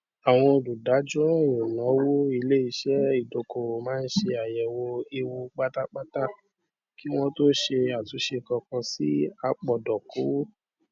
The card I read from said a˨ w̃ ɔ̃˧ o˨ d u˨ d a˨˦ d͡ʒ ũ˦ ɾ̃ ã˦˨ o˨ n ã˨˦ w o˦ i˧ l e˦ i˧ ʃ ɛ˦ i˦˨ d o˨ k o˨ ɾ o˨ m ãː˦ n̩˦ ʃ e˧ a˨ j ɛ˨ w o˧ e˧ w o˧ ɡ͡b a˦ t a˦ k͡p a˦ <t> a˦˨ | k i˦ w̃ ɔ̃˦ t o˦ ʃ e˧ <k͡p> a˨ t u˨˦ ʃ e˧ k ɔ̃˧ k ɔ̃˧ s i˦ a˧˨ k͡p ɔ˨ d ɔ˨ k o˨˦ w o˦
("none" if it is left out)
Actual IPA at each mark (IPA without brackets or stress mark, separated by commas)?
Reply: t, none